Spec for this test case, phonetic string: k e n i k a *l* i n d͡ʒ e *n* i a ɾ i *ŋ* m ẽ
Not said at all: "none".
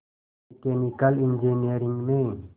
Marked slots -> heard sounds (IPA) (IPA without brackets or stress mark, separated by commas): l, n, ŋ